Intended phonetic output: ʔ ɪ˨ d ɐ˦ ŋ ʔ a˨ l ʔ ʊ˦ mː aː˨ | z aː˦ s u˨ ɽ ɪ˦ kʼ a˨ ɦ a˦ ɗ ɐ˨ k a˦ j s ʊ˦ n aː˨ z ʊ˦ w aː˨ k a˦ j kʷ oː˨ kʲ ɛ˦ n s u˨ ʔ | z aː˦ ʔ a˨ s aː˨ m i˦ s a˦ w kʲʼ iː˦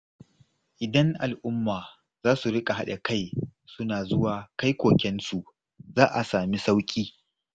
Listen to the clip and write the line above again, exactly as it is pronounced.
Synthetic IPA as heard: ʔ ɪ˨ d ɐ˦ ŋ ʔ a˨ l ʔ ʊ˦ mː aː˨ | z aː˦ s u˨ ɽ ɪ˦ kʼ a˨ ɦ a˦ ɗ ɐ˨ k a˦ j s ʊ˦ n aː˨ z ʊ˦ w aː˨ k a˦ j kʷ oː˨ kʲ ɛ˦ n s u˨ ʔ | z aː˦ ʔ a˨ s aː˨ m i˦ s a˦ w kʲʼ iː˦